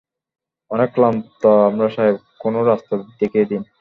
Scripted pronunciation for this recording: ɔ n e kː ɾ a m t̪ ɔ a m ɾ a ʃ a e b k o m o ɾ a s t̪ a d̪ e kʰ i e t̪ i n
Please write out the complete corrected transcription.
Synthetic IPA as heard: ɔ n e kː l a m t̪ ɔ a m ɾ a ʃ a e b k o n o ɾ a s t̪ a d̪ e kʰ i e d̪ i n